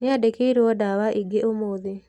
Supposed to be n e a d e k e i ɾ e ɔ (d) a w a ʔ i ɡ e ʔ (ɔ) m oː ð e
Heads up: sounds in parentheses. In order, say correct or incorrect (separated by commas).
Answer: correct, incorrect